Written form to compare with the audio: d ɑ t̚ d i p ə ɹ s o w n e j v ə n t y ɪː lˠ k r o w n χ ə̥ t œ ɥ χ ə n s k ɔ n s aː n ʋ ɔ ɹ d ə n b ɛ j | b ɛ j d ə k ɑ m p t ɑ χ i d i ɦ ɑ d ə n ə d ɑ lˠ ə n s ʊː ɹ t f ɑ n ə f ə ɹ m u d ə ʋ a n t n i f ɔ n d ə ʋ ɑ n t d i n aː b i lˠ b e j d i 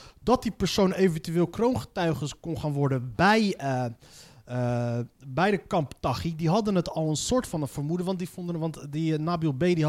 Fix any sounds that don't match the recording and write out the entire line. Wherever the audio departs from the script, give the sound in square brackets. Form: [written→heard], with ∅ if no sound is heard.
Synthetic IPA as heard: d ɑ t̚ d i p ə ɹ s o w n e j v ə n t y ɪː lˠ k r o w n χ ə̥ t œ ɥ χ ə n s k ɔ n [s→χ] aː n ʋ ɔ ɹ d ə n b ɛ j | b ɛ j d ə k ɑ m p t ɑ χ i d i ɦ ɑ d ə n ə [d→t] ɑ lˠ ə n s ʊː ɹ t f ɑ n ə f ə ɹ m u d ə ʋ [a→ɑ] n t [n→d] i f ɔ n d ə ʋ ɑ n t d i n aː b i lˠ b e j d i